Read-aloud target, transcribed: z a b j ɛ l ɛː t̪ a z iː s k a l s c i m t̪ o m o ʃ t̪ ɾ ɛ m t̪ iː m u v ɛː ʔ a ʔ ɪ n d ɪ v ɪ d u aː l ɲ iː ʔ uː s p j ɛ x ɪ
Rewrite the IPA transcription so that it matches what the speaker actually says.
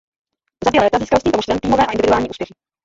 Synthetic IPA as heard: z a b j ɛ l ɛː t̪ a z iː s k a l s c i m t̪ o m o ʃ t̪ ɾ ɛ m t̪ iː m o v ɛː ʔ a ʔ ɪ n d ɪ v ɪ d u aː l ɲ iː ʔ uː s p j ɛ x ɪ